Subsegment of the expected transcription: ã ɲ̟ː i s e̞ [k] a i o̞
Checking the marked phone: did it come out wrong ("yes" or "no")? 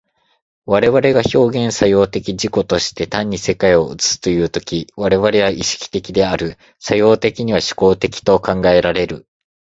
no